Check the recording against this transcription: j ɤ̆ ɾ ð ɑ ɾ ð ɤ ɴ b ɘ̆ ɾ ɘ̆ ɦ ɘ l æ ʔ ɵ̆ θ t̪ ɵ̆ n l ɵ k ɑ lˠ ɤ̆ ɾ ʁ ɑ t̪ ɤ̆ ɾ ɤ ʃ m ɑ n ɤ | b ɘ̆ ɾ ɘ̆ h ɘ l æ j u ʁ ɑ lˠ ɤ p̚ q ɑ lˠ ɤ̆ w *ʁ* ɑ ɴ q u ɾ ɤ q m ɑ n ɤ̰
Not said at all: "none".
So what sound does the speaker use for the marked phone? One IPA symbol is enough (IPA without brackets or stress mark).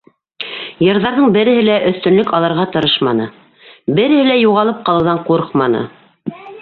ð